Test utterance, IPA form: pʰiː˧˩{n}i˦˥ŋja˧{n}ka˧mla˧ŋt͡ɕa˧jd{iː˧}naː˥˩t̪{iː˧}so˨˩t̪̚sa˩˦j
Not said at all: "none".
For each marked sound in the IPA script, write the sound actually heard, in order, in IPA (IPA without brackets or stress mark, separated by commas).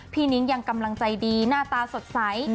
n, ŋ, iː˧, aː˧